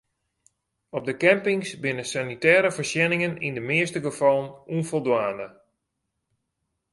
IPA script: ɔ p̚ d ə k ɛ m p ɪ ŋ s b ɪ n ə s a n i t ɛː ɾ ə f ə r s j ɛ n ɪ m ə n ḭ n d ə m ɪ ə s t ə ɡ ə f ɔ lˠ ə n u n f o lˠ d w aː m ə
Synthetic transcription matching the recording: ɔ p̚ d ə k ɛ m p ɪ ŋ s b ɪ n ə s a n i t ɛː ɾ ə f ə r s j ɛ n ɪ ŋ ə n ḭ n d ə m ɪ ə s t ə ɡ ə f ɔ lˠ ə n u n f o lˠ d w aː n ə